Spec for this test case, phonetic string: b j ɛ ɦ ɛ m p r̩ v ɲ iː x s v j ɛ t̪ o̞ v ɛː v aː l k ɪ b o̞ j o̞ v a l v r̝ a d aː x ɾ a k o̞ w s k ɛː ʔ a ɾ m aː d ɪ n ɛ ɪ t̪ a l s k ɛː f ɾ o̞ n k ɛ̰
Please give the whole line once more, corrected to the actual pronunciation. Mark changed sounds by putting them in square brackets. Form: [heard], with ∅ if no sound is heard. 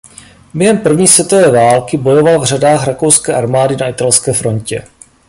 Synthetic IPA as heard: b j ɛ ɦ ɛ m p r̩ v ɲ iː [∅] s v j ɛ t̪ o̞ v ɛː v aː l k ɪ b o̞ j o̞ v a l v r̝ a d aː x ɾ a k o̞ w s k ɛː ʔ a ɾ m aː d ɪ n [a] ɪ t̪ a l s k ɛː f ɾ o̞ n [c] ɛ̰